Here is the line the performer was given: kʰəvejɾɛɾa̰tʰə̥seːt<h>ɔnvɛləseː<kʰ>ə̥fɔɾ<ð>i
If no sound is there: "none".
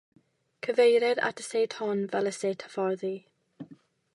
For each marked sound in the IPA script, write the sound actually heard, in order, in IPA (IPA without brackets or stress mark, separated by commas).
h, tʰ, ð